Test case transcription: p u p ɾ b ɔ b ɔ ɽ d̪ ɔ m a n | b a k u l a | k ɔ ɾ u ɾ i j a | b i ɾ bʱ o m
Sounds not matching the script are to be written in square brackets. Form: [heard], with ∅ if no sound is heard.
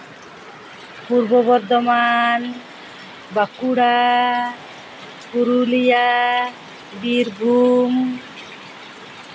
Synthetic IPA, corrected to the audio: p u [∅] ɾ b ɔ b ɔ [ɾ] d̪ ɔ m a n | b a k u [ɽ] a | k [u] ɾ u [l] i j a | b i ɾ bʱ [u] m